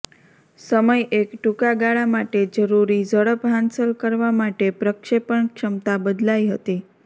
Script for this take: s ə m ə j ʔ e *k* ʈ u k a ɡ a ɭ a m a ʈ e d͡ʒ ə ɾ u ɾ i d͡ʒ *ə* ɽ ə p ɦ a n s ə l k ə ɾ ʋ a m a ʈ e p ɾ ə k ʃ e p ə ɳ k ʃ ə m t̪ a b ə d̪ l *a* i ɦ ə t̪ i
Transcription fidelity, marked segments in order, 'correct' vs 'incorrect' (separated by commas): correct, correct, correct